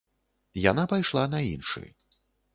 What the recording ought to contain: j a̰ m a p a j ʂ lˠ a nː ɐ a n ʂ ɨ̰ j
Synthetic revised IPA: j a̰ n a p a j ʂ lˠ a n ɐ i n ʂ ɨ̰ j

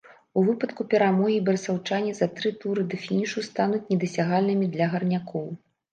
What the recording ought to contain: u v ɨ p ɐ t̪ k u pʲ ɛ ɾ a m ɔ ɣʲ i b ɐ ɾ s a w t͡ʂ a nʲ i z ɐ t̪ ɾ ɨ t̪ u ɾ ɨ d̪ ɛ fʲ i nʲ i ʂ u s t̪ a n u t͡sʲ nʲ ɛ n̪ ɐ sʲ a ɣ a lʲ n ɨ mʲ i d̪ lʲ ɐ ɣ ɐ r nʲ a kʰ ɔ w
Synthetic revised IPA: u v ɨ p ɐ t̪ k u pʲ ɛ ɾ a m ɔ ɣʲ i b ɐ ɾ s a w t͡ʂ a nʲ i z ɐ t̪ ɾ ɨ t̪ u ɾ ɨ d̪ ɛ fʲ i nʲ i ʂ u s t̪ a n u t͡sʲ nʲ ɛ d̪ ɐ sʲ a ɣ a lʲ n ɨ mʲ i d̪ lʲ ɐ ɣ ɐ r nʲ a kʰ ɔ w

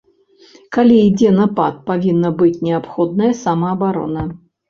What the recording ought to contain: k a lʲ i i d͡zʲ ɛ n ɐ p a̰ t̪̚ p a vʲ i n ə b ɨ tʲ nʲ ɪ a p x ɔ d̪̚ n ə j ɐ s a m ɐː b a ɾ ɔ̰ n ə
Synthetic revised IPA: k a lʲ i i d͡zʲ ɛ n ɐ p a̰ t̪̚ p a vʲ i nː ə b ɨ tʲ nʲ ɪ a p x ɔ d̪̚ n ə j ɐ s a m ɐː b a ɾ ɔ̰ n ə

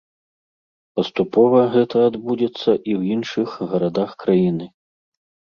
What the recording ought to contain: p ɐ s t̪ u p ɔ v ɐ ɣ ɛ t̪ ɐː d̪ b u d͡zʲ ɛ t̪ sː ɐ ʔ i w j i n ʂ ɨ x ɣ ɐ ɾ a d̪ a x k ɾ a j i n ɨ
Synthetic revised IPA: p ɐ s t̪ u p ɔ v ɐ ɣ ɛ t̪ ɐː d̪ b u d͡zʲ ɛ t̪ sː ɐ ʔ i w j i n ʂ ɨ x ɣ ɐ ɾ a d̪ a x k ɾ a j i n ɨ

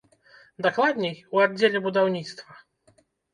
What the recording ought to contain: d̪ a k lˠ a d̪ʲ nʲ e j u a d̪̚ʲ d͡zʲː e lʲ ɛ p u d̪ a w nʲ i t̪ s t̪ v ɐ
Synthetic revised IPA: d̪ a k lˠ a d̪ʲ nʲ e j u a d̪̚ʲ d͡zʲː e lʲ ɛ b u d̪ a w nʲ i t̪ s t̪ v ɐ

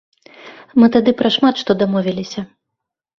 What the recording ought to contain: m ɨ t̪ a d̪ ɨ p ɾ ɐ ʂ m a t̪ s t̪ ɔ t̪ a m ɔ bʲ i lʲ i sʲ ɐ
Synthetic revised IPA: m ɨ t̪ a d̪ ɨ p ɾ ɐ ʂ m a t̪ ʂ t̪ ɔ d̪ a m ɔ vʲ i lʲ i sʲ ɐ

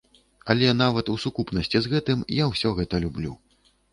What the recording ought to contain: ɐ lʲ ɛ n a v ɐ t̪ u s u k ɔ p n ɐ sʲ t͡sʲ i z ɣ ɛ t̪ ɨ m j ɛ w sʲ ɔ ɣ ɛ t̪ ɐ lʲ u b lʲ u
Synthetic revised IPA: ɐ lʲ ɛ n a v ɐ t̪ u s u k u p n ɐ sʲ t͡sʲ i z ɣ ɛ t̪ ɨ m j a w sʲ ɔ ɣ ɛ t̪ ɐ lʲ u b lʲ u

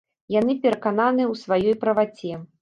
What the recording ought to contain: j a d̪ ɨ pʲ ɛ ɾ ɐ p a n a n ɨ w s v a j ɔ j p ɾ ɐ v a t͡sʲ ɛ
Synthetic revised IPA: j a n̪ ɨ pʲ ɛ ɾ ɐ k a n a n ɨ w s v a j ɔ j p ɾ ɐ v a t͡sʲ ɛ

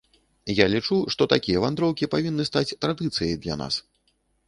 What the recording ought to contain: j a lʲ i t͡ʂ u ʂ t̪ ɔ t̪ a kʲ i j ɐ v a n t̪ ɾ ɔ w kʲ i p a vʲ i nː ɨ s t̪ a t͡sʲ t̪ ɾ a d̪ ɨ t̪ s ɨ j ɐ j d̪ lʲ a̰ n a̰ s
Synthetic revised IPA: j a lʲ i t͡ʂ u ʂ t̪ ɔ t̪ a kʲ i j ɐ v a n d̪ ɾ ɔ w kʲ i p a vʲ i nː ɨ s t̪ a t͡sʲ t̪ ɾ a d̪ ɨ t̪ s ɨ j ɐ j d̪ lʲ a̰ n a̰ s

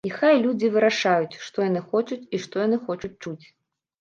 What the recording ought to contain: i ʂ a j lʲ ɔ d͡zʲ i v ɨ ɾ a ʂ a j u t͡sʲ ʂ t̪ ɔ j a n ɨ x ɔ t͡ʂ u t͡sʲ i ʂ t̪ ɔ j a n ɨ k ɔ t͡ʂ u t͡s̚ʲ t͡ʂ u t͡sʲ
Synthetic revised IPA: i x a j lʲ u d͡zʲ i v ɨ ɾ a ʂ a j u t͡sʲ ʂ t̪ ɔ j a n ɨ x ɔ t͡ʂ u t͡sʲ i ʂ t̪ ɔ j a n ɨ x ɔ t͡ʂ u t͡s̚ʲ t͡ʂ u t͡sʲ

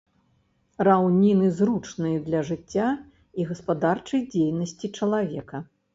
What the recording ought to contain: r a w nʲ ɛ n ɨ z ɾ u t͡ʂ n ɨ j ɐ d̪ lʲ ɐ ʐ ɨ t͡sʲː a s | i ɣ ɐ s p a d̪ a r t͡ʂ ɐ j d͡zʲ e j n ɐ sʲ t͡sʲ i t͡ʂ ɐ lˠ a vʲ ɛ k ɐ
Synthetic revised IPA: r a w nʲ i n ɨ z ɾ u t͡ʂ n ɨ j ɐ d̪ lʲ ɐ ʐ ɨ t͡sʲː a | i ɣ ɐ s p a d̪ a r t͡ʂ ɐ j d͡zʲ e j n ɐ sʲ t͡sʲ i t͡ʂ ɐ lˠ a vʲ ɛ k ɐ

